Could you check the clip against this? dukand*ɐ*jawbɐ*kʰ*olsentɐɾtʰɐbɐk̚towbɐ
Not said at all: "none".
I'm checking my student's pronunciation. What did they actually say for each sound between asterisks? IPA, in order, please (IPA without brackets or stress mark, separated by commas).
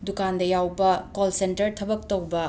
ɐ, k